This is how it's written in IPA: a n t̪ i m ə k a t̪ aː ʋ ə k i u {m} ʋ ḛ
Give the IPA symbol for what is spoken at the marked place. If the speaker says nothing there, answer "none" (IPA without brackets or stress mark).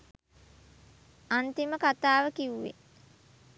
none